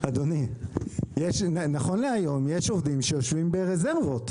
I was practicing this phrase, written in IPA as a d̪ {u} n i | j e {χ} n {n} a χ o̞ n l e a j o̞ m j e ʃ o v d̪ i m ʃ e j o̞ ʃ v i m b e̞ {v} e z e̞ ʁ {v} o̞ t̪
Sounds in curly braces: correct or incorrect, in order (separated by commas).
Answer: incorrect, incorrect, correct, incorrect, correct